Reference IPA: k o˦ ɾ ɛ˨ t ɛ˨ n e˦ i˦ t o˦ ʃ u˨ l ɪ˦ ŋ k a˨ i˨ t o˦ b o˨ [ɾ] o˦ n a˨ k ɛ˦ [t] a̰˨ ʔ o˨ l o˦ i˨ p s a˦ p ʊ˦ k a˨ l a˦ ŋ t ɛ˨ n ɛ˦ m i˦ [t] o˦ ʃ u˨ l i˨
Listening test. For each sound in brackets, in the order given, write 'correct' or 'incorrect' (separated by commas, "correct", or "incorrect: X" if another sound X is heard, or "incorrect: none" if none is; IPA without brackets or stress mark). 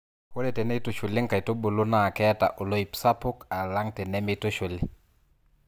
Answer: incorrect: l, correct, correct